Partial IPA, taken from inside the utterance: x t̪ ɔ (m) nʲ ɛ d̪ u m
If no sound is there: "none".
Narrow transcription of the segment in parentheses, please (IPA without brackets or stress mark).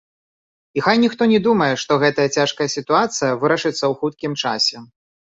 none